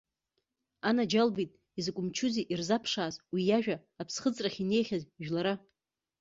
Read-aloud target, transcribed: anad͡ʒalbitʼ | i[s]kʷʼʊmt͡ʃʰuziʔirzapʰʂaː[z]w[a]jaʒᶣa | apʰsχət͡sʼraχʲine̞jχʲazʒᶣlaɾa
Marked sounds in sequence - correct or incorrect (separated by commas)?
incorrect, correct, incorrect